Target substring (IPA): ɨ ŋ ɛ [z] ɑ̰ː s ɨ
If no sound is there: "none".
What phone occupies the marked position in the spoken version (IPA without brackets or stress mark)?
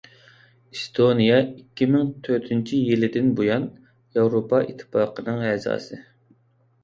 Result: z